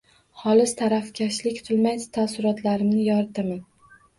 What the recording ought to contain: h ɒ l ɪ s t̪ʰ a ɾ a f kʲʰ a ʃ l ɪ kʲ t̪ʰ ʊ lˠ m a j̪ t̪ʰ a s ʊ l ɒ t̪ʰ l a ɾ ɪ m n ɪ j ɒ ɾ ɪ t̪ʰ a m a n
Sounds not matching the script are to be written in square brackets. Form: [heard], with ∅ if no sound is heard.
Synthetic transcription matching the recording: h ɒ l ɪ s t̪ʰ a ɾ a f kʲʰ a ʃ l ɪ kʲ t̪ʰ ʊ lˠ m a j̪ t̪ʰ a s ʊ [ɾ] ɒ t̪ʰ l a ɾ ɪ m n ɪ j ɒ ɾ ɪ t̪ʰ a m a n